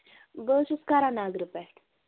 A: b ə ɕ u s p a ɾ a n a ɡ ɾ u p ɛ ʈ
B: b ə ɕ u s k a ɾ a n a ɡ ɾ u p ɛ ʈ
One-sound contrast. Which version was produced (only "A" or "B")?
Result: B